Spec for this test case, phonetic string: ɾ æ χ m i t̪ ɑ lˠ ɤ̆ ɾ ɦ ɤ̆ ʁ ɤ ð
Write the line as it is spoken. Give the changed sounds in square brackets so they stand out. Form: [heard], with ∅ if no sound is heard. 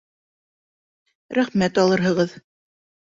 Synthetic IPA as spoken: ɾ æ χ m [æ] t̪ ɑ lˠ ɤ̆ ɾ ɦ ɤ̆ ʁ ɤ ð